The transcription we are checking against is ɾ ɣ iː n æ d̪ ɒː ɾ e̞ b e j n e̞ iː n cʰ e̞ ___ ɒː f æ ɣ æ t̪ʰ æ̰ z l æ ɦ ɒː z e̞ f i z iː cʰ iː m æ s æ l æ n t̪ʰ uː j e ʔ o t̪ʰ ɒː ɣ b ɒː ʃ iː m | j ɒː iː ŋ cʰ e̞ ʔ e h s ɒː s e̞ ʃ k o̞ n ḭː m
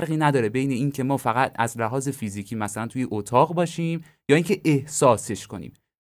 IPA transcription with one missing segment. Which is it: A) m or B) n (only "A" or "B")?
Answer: A